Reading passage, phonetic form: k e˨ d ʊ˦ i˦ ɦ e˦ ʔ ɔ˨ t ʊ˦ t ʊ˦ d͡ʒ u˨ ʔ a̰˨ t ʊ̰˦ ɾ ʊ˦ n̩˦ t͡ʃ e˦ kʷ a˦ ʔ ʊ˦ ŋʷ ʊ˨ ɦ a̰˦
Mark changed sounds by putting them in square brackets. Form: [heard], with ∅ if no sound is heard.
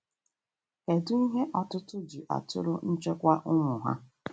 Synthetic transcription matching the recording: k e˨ d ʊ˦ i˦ ɦ e˦ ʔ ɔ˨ t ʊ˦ t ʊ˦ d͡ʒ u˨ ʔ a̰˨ t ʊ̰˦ ɾ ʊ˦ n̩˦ t͡ʃ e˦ kʷ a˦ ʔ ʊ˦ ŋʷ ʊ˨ ɦ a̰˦

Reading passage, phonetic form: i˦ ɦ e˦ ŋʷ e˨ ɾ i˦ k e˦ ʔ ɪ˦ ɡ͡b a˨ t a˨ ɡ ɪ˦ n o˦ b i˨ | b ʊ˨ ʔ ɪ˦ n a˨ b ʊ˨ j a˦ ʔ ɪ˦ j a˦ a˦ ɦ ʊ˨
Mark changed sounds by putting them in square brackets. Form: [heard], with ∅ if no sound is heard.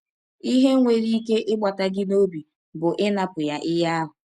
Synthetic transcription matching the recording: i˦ ɦ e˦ ŋʷ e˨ ɾ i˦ k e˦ ʔ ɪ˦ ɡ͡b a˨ t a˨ ɡ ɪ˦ n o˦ b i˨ | b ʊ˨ ʔ ɪ˦ n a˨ [p] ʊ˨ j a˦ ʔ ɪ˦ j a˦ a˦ ɦ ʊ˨

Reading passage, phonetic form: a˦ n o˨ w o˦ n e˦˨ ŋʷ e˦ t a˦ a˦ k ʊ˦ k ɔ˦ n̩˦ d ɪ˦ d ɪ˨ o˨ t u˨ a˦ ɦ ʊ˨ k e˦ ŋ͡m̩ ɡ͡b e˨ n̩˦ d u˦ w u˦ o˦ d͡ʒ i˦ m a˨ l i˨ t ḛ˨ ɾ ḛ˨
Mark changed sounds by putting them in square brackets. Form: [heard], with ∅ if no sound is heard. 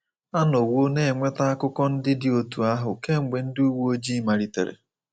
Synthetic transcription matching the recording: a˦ n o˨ w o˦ n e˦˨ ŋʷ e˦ t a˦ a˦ k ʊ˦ k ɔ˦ n̩˦ d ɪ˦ d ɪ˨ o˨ t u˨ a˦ ɦ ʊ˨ k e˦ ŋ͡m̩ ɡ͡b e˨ n̩˦ d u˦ w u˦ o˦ d͡ʒ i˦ m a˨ [ɾ] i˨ t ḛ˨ ɾ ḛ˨

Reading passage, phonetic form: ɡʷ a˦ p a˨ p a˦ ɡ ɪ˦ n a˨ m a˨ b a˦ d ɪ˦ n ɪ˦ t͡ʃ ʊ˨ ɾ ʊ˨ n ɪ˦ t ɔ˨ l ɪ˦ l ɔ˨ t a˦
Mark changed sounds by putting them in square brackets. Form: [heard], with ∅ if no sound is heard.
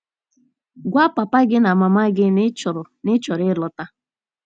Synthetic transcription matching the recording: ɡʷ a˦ p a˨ p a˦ ɡ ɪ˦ n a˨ m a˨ [m] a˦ [ɡ] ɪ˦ n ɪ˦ t͡ʃ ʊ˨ ɾ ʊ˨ n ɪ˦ [t͡ʃ] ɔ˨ [ɾ] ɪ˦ l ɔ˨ t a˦

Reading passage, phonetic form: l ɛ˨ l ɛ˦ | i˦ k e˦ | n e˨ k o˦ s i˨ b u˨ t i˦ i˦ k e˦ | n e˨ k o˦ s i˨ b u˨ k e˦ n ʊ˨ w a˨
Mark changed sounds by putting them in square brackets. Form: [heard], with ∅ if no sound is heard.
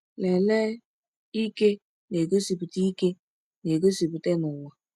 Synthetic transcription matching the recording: l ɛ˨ l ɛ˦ | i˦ k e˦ | n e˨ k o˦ s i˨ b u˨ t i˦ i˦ k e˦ | n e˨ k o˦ s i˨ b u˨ [t] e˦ n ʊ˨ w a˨

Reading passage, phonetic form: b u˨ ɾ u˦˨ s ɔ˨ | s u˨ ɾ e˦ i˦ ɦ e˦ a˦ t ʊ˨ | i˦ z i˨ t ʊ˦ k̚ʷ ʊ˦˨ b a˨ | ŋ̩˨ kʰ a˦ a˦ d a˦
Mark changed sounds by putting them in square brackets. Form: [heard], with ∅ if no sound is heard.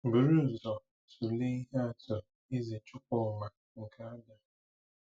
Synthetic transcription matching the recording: b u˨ ɾ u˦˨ [z] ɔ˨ | s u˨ [l] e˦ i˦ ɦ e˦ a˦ t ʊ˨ | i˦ z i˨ [t͡ʃ] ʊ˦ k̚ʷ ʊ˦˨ [m] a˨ | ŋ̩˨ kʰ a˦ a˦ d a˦

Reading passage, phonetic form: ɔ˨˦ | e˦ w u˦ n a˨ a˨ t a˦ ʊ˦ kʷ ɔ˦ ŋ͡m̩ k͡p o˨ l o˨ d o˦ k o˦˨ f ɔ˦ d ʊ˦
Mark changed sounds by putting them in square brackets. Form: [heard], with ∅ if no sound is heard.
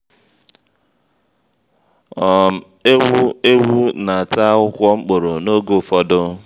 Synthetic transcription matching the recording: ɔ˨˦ | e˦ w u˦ n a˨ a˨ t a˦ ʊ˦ kʷ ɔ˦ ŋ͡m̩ k͡p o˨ [ɾ] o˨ [n] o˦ [ɡ] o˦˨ f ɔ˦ d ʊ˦

